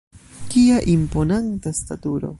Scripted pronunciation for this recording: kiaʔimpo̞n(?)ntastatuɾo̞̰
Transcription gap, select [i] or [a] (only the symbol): a